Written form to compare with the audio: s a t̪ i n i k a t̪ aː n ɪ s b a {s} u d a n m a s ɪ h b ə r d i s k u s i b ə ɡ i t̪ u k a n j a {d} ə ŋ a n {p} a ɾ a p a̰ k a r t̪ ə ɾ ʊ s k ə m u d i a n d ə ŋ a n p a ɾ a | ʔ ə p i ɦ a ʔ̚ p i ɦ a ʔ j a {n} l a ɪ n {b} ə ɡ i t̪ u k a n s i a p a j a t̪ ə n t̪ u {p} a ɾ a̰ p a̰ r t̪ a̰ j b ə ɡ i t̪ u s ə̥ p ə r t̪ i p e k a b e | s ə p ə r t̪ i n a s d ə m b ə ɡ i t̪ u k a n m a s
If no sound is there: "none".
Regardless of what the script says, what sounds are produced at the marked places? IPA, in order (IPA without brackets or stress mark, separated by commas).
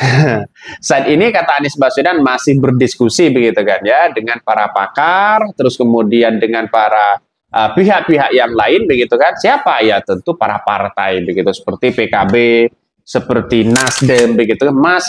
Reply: s, d, p, ŋ, b, p